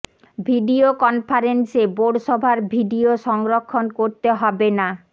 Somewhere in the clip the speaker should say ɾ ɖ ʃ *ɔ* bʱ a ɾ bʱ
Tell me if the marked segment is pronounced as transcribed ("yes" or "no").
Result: yes